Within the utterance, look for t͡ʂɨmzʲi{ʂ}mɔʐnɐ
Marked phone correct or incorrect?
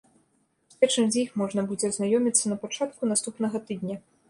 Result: incorrect